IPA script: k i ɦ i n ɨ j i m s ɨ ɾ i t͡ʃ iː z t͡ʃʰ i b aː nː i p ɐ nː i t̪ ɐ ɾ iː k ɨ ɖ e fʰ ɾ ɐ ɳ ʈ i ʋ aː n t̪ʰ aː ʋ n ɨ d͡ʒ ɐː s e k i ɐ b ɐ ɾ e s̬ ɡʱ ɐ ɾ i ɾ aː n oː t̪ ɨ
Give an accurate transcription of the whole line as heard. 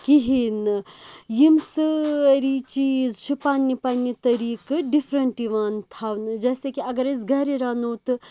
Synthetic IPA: k i ɦ i n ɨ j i m s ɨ ɾ i t͡ʃ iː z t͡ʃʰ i p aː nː i p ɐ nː i t̪ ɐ ɾ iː k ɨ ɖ i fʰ ɾ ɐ ɳ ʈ i ʋ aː n t̪ʰ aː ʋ n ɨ d͡ʒ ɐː s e k i ɐ ɡ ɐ ɾ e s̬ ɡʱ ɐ ɾ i ɾ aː n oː t̪ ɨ